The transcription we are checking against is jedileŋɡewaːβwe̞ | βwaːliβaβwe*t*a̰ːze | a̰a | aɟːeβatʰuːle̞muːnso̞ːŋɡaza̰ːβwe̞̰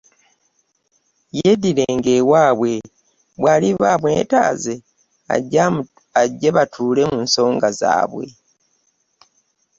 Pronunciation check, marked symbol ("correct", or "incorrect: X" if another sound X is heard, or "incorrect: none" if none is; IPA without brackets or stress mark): correct